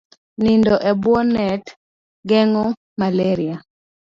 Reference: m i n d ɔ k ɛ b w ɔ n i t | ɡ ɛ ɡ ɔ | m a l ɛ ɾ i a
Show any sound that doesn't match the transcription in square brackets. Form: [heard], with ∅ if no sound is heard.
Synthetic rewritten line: [n] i n d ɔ [ʔ] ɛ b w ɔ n [ɛ] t | ɡ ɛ [ŋ] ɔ | m a l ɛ ɾ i a

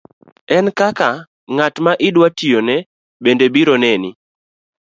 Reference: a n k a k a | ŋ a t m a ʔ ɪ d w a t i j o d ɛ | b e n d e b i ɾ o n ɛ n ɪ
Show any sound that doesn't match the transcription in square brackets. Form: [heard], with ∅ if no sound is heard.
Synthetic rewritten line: [ɛ] n k a k a | ŋ a t m a ʔ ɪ d w a t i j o [n] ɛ | b e n d e b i ɾ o n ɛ n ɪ

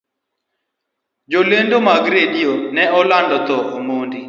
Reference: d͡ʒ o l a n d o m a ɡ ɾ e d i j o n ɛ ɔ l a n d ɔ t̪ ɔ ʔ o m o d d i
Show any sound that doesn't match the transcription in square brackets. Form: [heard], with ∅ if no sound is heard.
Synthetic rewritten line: d͡ʒ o l [e] n d o m a ɡ ɾ e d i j o n ɛ ɔ l a n d ɔ t̪ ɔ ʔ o m o [n] d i

